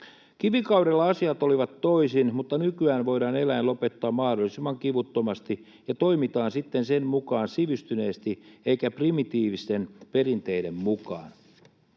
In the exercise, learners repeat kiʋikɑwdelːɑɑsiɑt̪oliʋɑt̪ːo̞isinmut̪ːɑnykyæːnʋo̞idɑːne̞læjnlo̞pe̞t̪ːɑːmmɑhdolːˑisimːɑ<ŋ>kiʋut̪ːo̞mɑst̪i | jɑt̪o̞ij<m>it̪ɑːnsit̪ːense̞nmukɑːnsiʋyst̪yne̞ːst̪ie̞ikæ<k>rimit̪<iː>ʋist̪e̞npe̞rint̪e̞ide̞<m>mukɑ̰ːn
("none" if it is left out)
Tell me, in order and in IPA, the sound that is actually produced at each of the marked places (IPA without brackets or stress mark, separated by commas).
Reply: ŋ, m, p, iː, m